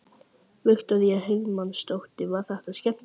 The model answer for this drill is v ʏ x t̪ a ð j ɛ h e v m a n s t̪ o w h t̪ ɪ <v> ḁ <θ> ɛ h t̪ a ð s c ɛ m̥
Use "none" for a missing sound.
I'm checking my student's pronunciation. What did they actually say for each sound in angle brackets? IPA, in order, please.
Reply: v, θ

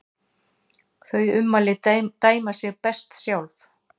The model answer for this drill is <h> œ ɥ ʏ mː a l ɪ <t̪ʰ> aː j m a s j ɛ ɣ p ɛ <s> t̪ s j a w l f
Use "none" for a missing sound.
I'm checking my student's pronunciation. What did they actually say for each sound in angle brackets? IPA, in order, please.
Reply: θ, t̪, s

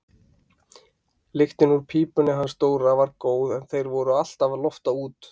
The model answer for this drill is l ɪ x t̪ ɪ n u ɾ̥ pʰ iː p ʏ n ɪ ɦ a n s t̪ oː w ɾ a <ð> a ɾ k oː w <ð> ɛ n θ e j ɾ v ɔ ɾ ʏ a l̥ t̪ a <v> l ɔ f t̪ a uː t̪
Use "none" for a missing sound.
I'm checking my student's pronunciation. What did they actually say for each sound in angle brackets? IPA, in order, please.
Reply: v, ð, v

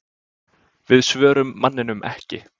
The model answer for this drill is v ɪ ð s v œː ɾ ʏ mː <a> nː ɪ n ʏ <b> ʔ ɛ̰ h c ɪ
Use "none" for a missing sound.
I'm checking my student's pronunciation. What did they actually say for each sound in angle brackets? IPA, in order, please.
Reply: a, m

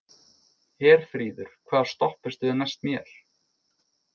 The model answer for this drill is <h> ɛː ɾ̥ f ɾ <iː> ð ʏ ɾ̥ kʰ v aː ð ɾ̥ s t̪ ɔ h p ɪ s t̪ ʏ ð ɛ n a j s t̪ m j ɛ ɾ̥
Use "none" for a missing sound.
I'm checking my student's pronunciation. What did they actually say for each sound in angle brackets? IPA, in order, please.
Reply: h, iː

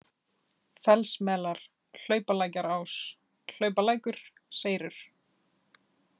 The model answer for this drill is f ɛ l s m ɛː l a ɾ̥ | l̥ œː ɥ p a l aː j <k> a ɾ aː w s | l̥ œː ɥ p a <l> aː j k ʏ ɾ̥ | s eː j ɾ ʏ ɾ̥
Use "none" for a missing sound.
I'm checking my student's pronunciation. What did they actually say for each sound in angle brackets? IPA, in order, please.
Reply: c, l

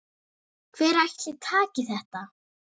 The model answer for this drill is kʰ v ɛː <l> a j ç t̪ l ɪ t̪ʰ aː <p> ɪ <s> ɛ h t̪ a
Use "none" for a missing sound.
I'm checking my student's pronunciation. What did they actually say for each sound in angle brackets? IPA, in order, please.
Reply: ɾ, c, θ

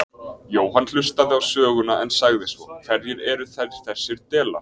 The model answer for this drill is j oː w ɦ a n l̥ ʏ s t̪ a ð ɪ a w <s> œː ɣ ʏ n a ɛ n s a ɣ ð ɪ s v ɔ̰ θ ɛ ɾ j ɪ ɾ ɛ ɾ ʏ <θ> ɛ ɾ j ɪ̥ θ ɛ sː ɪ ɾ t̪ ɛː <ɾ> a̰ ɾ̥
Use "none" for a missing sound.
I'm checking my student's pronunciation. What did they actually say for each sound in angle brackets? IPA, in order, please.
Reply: s, θ, l

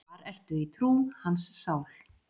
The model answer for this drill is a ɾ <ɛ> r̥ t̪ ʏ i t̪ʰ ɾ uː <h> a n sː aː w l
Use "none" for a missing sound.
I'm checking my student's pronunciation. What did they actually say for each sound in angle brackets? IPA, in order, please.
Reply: ɛ, h

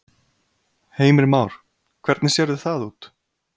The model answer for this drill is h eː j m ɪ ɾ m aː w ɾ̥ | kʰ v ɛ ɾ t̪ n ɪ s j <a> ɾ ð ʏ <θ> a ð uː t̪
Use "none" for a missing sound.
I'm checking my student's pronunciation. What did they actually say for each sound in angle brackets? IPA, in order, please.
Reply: ɛ, θ

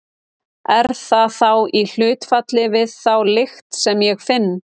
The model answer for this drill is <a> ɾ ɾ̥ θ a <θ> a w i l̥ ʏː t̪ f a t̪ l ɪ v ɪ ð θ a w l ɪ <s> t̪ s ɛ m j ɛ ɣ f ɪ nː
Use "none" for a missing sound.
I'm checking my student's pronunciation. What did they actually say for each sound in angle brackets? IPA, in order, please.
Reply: ɛ, θ, x

